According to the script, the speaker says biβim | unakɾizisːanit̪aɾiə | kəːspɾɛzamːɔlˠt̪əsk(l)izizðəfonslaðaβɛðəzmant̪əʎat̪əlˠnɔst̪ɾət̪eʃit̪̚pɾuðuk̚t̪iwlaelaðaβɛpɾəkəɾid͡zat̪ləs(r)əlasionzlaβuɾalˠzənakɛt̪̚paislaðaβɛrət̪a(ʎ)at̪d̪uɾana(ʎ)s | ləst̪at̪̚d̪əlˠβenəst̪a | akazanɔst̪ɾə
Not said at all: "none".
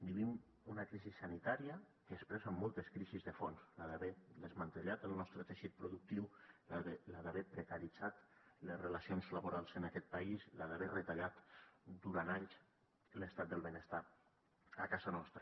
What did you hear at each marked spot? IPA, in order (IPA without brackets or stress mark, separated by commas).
ɾ, r, ʎ, ʎ